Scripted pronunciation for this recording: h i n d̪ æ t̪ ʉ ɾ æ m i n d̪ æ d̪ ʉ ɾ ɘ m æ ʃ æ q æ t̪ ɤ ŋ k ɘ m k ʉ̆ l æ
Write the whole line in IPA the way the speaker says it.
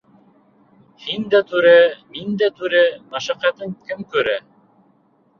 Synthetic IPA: h i n d̪ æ t̪ ʉ ɾ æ m i n d̪ æ t̪ ʉ ɾ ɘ m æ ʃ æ q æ t̪ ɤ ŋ k ɘ m k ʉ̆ ɾ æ

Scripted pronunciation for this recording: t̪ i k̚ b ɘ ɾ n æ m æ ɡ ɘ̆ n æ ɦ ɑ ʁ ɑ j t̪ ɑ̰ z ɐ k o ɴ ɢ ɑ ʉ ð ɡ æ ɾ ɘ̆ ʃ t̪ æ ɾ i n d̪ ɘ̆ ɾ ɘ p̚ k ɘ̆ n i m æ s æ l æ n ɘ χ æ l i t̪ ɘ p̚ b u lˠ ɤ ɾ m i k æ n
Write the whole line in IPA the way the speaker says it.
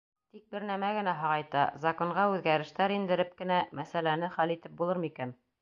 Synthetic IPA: t̪ i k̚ b ɘ ɾ n æ m æ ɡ ɘ̆ n æ ɦ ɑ ʁ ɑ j t̪ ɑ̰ z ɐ k o ɴ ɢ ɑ ʉ ð ɡ æ ɾ ɘ̆ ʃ t̪ æ ɾ i n d̪ ɘ̆ ɾ ɘ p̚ k ɘ̆ n æ m æ s æ l æ n ɘ χ æ l i t̪ ɘ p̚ b u lˠ ɤ ɾ m i k æ n

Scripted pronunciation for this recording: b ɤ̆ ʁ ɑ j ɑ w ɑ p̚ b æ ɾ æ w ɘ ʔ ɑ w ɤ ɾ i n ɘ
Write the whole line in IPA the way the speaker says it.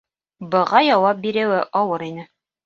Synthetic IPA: b ɤ̆ ʁ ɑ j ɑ w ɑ p̚ b i ɾ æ w ɘ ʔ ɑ w ɤ ɾ i n ɘ

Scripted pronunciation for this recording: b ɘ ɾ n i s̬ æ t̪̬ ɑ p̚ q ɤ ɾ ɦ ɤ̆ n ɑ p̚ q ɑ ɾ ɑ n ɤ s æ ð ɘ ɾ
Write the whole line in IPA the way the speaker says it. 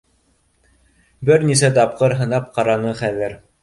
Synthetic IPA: b ɘ ɾ n i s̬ æ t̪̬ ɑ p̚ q ɤ ɾ ɦ ɤ̆ n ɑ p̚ q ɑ ɾ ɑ n ɤ χ æ ð ɘ ɾ

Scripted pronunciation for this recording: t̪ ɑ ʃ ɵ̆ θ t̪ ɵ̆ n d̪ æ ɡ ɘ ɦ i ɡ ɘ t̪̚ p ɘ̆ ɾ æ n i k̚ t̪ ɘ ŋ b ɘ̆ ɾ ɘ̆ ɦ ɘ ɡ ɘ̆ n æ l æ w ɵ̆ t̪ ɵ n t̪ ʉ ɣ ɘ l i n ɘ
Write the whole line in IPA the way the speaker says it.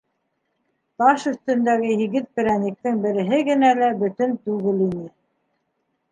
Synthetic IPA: t̪ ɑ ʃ ɵ̆ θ t̪ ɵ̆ n d̪ æ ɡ ɘ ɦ i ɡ ɘ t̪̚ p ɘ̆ ɾ æ n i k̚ t̪ ɘ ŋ b ɘ̆ ɾ ɘ̆ ɦ ɘ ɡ ɘ̆ n æ l æ b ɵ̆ t̪ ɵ n t̪ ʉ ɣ ɘ l i n ɘ

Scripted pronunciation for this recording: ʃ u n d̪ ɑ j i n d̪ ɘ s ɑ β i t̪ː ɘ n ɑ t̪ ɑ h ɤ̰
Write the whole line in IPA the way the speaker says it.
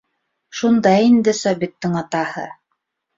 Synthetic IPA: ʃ u n d̪ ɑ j i n d̪ ɘ s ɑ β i t̪ː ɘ ŋ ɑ t̪ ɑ h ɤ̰

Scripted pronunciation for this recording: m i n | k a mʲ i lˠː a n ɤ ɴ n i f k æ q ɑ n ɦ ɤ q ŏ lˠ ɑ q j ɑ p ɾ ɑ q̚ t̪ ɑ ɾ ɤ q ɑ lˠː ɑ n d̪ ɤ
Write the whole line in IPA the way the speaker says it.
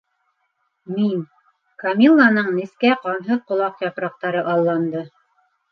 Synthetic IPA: m i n | k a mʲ i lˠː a n ɤ ɴ n i s k æ q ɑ n ɦ ɤ q ŏ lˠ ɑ q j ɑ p ɾ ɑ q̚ t̪ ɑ ɾ ɤ ʔ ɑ lˠː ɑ n d̪ ɤ

